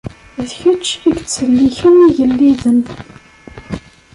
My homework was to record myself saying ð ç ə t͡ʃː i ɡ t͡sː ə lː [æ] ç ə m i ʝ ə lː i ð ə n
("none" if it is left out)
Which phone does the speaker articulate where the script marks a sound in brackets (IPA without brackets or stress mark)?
i